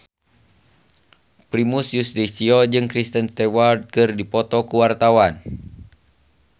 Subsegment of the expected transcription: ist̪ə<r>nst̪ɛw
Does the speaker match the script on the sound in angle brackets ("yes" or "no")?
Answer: no